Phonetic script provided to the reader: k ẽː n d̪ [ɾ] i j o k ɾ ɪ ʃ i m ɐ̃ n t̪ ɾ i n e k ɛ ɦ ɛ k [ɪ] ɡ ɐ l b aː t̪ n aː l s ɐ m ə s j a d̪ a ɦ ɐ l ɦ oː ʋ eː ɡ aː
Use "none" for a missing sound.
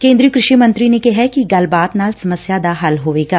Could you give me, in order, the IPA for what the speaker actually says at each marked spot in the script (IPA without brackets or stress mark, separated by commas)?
ɾ, i